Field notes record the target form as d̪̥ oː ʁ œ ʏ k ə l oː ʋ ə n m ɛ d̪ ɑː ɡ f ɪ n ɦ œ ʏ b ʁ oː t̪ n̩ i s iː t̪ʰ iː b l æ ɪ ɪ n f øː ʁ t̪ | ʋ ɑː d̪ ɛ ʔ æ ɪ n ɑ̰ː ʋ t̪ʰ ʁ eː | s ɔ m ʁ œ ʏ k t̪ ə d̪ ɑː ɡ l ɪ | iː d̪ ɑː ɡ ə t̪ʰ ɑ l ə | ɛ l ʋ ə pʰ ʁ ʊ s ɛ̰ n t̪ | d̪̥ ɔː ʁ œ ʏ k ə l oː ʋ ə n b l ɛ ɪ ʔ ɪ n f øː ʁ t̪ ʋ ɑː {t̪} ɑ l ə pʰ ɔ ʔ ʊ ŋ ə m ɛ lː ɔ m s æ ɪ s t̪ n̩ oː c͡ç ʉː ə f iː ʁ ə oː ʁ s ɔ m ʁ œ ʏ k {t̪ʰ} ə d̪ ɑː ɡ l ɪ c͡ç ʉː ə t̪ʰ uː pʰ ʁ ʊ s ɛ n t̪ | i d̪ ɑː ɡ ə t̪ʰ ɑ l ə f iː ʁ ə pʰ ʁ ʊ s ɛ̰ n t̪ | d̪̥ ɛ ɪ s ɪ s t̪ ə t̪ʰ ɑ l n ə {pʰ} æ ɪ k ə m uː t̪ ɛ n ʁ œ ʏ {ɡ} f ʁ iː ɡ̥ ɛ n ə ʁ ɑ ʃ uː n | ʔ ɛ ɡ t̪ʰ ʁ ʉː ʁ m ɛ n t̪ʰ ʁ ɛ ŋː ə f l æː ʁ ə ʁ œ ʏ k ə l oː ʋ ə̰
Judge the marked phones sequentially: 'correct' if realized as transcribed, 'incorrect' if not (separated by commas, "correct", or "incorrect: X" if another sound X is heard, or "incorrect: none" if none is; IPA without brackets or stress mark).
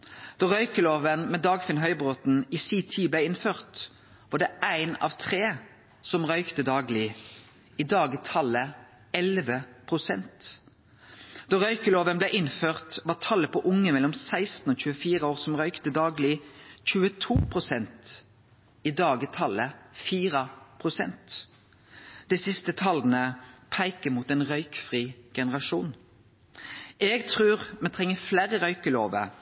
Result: incorrect: t̪ʰ, incorrect: t̪, correct, incorrect: k